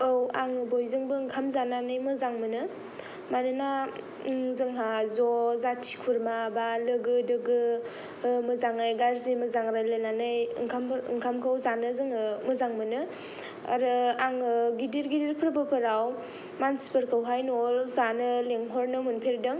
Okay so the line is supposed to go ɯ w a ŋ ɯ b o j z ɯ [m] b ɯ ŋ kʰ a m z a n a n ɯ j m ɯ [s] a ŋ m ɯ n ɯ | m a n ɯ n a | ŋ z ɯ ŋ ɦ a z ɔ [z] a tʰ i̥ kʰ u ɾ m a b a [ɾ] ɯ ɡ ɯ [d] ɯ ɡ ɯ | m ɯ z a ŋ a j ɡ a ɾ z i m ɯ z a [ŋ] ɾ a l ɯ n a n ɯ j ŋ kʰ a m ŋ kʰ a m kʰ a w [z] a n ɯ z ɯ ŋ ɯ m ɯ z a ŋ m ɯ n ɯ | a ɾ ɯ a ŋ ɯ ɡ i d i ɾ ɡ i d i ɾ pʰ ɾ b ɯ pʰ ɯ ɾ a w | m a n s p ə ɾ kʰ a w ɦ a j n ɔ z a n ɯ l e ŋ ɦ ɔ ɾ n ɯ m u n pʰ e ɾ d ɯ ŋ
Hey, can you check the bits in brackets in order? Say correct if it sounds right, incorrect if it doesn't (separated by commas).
incorrect, incorrect, correct, incorrect, correct, correct, correct